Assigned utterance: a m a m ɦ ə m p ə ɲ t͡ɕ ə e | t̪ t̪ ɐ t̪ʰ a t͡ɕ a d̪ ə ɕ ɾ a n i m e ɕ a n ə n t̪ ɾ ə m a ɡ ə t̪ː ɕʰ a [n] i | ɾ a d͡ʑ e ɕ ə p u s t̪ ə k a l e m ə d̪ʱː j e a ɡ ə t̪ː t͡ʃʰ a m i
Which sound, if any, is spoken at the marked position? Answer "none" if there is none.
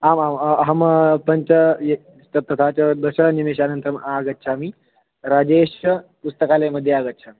m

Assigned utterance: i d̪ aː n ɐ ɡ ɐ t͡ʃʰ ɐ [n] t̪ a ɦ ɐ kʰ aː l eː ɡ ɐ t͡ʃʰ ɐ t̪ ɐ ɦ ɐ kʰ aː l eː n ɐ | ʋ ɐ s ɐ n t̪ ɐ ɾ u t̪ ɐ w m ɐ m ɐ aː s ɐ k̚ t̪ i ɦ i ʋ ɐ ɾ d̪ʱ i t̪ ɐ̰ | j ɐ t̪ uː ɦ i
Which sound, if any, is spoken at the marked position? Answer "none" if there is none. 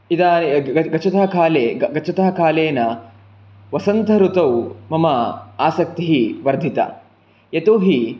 none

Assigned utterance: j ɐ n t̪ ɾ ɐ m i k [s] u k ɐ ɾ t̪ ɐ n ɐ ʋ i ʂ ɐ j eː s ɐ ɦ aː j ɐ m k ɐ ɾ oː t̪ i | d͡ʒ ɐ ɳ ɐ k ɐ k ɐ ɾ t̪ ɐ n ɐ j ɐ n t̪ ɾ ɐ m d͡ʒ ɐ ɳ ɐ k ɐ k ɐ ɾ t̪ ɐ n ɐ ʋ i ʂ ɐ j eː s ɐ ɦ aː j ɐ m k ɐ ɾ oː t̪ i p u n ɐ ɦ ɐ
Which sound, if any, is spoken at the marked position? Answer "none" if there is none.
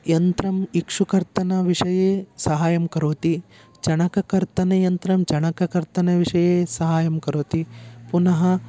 ʂ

